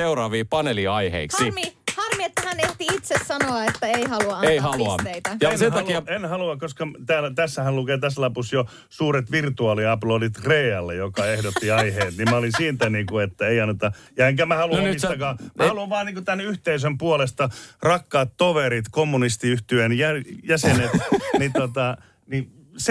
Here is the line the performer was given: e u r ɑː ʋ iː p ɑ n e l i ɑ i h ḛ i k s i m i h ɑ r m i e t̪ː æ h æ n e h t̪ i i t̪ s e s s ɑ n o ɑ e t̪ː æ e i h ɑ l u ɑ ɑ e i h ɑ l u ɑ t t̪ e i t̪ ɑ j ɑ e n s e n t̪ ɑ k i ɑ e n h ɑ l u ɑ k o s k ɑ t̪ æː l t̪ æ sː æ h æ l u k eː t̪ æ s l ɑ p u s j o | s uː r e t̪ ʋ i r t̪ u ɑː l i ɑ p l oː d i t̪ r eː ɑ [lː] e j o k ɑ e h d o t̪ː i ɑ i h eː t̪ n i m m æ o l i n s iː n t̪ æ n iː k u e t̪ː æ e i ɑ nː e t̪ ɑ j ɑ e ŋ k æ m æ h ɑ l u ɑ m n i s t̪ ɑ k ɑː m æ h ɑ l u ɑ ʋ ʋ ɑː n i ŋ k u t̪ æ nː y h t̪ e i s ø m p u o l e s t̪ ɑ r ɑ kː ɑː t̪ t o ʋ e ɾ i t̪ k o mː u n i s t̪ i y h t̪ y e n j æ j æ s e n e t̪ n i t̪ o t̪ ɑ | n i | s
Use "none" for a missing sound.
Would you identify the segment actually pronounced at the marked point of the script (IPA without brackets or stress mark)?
lː